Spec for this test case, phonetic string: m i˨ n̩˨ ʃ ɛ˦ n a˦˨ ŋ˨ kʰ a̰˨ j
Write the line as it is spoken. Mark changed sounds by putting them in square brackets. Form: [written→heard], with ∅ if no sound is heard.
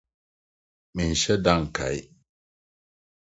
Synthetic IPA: m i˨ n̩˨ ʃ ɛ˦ [n→d] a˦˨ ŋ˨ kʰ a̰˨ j